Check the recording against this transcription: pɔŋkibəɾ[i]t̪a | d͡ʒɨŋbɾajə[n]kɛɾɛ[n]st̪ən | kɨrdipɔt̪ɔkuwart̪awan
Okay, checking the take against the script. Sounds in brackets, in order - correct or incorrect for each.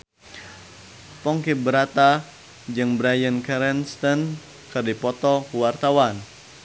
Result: incorrect: a, correct, correct

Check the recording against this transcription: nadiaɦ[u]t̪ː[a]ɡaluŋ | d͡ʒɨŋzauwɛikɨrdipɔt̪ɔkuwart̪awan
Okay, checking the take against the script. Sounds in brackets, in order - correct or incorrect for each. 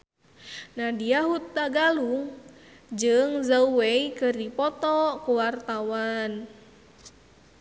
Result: correct, correct

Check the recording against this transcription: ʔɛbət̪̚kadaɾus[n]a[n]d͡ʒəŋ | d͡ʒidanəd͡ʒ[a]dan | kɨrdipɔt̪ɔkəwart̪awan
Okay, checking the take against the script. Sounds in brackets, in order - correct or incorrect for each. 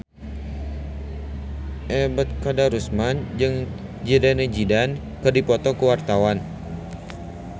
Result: incorrect: m, correct, incorrect: i

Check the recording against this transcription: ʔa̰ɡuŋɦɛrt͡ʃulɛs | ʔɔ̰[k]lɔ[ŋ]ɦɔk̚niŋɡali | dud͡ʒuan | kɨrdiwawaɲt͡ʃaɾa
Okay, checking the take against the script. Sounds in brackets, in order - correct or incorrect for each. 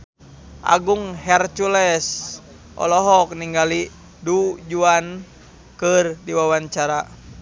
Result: incorrect: none, incorrect: none

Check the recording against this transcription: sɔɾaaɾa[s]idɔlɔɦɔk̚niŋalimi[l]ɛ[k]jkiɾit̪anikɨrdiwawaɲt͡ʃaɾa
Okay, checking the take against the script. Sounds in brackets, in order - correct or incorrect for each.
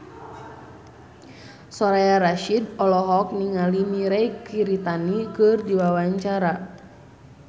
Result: incorrect: ʃ, incorrect: ɾ, incorrect: none

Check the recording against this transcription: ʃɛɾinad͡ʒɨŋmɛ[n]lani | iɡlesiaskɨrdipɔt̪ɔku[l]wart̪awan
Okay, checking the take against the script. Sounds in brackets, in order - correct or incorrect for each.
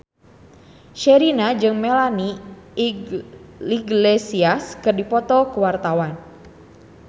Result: incorrect: none, incorrect: none

